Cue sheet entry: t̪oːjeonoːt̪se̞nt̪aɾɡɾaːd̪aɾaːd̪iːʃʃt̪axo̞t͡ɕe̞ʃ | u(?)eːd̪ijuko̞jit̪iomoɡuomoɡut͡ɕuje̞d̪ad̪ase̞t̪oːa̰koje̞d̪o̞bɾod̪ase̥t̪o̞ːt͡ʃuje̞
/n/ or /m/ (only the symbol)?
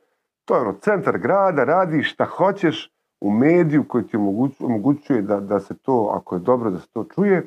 m